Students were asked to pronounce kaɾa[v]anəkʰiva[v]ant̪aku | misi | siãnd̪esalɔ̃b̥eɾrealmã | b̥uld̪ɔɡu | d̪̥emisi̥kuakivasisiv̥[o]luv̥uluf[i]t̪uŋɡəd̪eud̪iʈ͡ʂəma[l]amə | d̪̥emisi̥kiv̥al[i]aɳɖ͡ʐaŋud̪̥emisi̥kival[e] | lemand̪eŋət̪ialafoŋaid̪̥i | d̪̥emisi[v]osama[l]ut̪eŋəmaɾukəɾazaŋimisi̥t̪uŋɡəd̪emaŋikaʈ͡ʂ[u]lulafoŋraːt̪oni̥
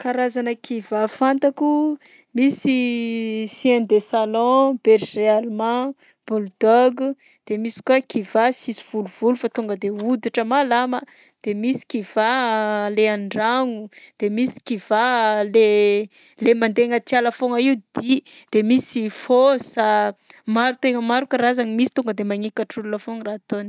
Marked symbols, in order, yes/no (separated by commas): no, no, no, no, yes, no, yes, no, no, yes